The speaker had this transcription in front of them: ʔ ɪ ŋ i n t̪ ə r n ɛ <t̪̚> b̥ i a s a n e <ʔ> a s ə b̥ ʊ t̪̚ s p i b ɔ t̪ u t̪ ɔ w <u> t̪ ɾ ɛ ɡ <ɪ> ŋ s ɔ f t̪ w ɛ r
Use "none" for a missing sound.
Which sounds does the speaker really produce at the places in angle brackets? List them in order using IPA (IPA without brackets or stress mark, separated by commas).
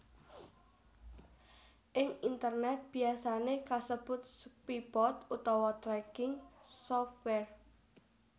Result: t̪̚, k, ɔ, ɪ